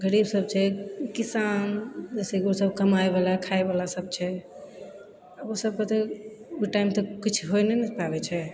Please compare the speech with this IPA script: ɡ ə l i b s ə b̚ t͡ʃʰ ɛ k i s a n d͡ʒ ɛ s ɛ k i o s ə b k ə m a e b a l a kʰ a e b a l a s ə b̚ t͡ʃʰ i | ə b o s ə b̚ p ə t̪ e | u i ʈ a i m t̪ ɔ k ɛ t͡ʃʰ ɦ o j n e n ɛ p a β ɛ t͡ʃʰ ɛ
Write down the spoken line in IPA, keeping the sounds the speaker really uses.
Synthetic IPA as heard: ɡ ə ɾ i b s ə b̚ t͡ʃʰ ɛ k i s a n d͡ʒ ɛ s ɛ k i o s ə b k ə m a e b a l a kʰ a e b a l a s ə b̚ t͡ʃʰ ɛ | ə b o s ə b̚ k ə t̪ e | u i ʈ a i m t̪ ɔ k i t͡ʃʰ ɦ o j n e n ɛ p a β ɛ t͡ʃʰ ɛ